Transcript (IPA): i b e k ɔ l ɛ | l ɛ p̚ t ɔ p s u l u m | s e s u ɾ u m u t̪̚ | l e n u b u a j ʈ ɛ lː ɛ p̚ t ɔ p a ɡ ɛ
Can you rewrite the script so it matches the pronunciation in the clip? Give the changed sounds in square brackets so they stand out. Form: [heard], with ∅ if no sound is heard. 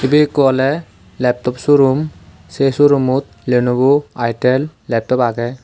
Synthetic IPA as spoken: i b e k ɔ l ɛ | l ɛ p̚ t ɔ p s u [ɾ] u m | s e s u ɾ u m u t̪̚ | l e n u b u a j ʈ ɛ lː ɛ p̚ t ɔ p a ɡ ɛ